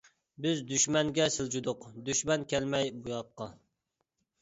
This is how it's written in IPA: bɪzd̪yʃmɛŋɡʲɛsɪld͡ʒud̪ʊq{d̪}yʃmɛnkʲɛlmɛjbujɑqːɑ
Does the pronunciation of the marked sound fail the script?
no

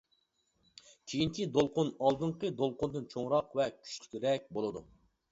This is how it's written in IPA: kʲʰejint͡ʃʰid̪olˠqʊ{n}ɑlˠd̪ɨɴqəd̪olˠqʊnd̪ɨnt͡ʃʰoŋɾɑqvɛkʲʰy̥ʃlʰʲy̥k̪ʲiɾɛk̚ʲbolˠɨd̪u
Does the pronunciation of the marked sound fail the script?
no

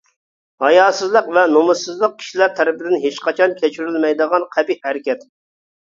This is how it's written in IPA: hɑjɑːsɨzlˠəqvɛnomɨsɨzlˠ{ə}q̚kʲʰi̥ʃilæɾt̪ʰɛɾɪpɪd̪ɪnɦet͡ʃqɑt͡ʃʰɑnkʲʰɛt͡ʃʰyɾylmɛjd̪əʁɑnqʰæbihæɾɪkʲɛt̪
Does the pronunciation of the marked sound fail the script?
no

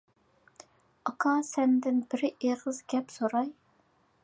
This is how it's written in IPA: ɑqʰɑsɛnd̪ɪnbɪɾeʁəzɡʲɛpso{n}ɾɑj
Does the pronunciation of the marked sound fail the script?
yes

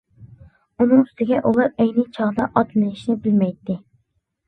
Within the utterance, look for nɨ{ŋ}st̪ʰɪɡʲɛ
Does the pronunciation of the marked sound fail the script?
no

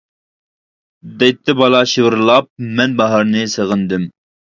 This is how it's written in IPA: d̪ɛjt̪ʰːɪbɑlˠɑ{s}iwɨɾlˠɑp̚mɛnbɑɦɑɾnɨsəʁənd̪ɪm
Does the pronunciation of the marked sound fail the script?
yes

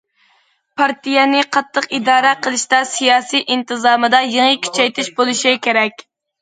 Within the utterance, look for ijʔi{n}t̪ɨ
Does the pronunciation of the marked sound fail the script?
no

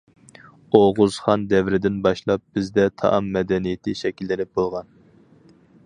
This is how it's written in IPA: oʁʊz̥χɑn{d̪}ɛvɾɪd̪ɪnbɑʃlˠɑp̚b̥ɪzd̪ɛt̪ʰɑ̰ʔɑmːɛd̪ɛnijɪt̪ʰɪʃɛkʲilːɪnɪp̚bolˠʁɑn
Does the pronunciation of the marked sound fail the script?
no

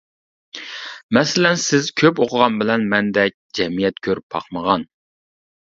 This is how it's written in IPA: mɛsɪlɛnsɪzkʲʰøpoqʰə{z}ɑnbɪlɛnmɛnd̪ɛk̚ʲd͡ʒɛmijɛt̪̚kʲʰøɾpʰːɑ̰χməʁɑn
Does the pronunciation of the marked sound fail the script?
yes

